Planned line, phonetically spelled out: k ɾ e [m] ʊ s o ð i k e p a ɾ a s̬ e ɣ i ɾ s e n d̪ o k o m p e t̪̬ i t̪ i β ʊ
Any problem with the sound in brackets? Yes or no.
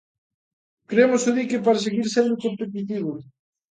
no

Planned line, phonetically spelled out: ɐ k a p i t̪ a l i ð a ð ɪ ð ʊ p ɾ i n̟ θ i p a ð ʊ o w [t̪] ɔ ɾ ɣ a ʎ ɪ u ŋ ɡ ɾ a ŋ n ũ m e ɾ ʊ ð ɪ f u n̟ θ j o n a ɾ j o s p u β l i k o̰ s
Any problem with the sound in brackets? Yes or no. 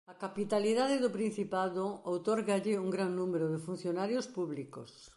no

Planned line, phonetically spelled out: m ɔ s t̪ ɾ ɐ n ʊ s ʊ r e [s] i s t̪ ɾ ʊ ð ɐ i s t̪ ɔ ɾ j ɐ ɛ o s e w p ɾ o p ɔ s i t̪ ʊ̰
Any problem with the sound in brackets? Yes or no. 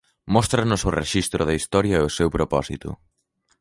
yes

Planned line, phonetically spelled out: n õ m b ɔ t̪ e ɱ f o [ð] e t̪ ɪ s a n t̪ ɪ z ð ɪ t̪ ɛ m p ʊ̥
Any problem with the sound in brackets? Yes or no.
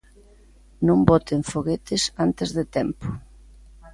yes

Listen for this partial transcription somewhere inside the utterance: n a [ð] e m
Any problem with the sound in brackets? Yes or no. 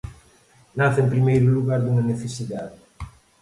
yes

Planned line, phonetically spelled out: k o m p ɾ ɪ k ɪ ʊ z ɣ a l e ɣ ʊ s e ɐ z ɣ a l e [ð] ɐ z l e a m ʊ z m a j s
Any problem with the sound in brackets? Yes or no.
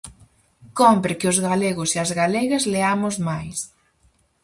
yes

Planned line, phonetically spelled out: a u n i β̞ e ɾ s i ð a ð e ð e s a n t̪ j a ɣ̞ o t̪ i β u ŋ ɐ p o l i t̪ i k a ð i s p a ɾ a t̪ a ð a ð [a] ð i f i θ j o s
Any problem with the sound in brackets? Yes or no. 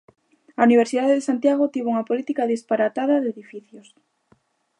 yes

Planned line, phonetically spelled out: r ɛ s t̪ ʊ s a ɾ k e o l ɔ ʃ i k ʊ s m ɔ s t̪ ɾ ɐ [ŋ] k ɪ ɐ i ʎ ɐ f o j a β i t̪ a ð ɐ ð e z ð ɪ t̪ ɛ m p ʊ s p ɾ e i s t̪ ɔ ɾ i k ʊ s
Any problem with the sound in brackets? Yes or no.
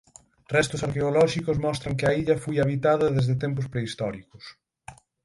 no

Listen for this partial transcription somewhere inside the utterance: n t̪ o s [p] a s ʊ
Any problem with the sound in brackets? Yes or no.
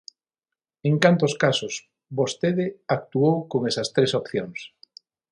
yes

